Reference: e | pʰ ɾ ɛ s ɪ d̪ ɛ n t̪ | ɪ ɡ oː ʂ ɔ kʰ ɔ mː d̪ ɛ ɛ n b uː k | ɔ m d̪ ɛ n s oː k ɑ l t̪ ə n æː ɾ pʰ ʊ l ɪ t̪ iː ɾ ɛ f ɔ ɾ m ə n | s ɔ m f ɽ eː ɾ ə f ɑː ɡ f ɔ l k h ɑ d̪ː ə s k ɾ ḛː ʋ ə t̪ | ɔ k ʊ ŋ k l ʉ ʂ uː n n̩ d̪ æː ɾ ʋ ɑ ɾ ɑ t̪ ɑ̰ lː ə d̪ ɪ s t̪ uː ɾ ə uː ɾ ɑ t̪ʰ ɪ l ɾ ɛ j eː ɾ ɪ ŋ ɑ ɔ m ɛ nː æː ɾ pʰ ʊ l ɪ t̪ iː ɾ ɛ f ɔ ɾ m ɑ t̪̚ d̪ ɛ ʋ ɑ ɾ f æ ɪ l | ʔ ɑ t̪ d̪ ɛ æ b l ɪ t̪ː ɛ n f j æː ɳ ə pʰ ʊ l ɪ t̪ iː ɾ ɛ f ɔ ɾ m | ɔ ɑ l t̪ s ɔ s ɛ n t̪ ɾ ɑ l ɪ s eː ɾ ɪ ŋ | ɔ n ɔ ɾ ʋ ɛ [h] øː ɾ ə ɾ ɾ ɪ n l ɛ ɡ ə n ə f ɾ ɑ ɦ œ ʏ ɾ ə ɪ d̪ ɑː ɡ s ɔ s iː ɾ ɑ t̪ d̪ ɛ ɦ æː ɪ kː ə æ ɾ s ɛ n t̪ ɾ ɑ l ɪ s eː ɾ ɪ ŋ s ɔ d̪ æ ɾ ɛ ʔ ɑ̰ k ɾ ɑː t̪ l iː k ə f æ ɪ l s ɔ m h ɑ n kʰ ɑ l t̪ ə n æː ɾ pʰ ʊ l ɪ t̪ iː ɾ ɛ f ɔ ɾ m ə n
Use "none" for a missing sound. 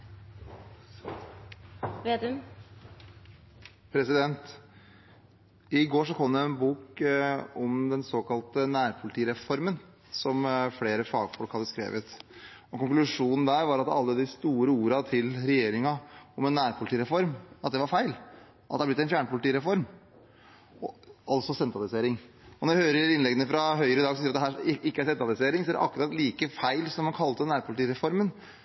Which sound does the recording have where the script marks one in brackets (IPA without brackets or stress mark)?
h